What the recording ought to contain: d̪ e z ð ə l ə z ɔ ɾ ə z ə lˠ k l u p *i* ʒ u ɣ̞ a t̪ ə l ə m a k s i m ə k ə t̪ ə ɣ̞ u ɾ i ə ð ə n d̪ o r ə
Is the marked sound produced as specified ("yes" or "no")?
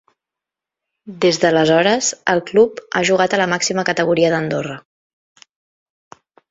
no